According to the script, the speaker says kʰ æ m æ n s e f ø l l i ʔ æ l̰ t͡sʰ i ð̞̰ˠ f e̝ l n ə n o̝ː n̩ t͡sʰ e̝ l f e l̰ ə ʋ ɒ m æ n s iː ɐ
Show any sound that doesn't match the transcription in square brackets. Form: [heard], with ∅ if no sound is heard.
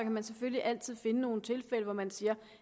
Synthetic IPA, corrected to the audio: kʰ æ m æ n s e f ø l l i ʔ æ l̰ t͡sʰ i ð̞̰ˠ f e̝ [∅] n ə n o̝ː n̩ t͡sʰ e̝ l f e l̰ ə ʋ ɒ m æ n s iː ɐ